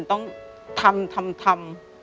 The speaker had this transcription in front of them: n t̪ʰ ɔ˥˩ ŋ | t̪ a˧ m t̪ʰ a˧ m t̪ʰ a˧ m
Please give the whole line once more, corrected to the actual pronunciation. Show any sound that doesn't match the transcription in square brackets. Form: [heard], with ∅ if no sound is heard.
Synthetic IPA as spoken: n [t̪] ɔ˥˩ ŋ | [t̪ʰ] a˧ m t̪ʰ a˧ m t̪ʰ a˧ m